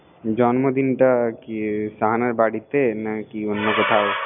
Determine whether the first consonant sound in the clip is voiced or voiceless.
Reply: voiced